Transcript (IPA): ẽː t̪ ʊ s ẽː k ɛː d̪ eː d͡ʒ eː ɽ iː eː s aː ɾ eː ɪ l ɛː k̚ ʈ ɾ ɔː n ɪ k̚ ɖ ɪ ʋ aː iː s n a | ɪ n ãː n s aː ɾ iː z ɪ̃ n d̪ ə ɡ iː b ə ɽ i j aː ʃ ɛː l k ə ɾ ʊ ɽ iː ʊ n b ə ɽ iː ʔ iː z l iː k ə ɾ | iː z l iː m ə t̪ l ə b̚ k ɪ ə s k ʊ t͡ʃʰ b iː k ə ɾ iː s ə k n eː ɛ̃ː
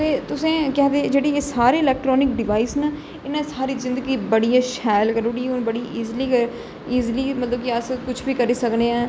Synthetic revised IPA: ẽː t̪ ʊ s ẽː k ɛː d̪ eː d͡ʒ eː ɽ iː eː s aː ɾ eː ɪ l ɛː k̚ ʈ ɾ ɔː n ɪ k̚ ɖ ɪ ʋ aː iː s n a | ɪ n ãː s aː ɾ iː z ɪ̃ n d̪ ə ɡ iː b ə ɽ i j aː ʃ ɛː l k ə ɾ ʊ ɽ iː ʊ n b ə ɽ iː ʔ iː z l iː k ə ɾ | iː z l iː m ə t̪ l ə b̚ k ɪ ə s k ʊ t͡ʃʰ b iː k ə ɾ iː s ə k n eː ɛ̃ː